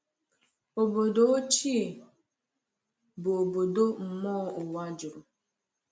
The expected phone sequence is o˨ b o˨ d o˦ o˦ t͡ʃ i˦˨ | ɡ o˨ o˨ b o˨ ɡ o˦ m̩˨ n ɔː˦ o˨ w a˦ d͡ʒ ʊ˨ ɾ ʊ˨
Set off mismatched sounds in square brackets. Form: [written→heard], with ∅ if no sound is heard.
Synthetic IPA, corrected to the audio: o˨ b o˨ d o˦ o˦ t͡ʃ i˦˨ | [ɡ→b] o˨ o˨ b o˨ [ɡ→d] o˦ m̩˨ [n→m] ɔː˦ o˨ w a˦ d͡ʒ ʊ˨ ɾ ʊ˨